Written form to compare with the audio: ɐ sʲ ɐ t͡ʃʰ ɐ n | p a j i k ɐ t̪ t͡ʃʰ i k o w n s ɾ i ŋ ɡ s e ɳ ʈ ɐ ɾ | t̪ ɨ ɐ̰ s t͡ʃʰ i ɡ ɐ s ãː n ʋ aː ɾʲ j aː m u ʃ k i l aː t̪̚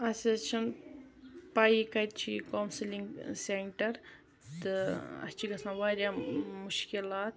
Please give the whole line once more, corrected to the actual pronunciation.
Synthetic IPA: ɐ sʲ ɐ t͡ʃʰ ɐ n | p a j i k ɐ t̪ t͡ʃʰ i k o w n s l i ŋ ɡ s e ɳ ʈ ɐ ɾ | t̪ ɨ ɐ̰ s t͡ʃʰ i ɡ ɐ s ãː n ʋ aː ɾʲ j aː m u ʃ k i l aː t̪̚